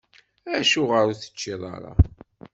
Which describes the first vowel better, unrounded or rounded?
unrounded